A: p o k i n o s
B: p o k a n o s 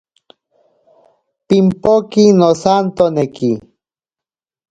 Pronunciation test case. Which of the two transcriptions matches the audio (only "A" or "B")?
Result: A